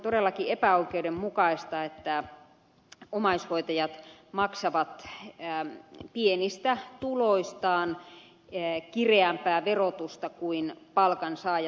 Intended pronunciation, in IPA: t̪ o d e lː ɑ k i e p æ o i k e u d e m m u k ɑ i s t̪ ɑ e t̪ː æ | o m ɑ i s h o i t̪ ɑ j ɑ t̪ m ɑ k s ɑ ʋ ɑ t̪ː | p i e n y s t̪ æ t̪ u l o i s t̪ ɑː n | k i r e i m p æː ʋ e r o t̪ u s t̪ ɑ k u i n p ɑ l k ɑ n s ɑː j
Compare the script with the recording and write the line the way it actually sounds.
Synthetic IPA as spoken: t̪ o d e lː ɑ k i e p æ o i k e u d e m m u k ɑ i s t̪ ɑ e t̪ː æ | o m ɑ i s h o i t̪ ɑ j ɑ t̪ m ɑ k s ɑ ʋ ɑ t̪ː | p i e n i s t̪ æ t̪ u l o i s t̪ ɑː n | k i r e æ m p æː ʋ e r o t̪ u s t̪ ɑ k u i n p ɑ l k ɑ n s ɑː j